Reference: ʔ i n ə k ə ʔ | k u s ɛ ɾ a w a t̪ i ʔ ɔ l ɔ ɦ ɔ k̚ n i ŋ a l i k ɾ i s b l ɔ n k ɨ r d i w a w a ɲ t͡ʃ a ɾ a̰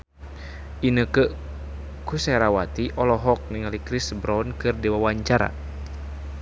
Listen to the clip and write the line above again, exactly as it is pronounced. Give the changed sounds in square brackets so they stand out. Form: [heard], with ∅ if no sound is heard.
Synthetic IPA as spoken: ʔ i n ə k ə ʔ | k u s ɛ ɾ a w a t̪ i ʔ ɔ l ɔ ɦ ɔ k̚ n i ŋ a l i k ɾ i s b [ɾ] ɔ n k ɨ r d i w a w a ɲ t͡ʃ a ɾ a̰